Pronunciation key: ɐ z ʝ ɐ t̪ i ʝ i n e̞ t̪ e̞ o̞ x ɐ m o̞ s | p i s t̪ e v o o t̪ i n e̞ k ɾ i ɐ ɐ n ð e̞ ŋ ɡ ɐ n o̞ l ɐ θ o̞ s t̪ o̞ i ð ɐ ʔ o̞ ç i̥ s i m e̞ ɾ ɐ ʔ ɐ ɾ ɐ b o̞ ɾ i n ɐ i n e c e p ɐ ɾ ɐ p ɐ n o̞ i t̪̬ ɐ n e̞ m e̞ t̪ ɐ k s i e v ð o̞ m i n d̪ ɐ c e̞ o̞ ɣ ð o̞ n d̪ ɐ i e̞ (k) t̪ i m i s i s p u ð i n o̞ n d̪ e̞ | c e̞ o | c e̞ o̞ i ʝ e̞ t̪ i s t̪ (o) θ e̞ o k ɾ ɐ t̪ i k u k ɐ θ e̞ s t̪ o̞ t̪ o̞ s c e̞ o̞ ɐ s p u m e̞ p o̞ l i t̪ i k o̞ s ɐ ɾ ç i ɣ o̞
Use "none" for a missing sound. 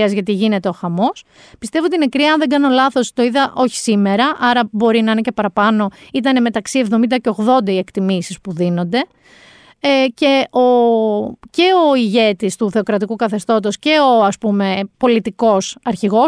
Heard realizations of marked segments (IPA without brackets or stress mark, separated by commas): k, u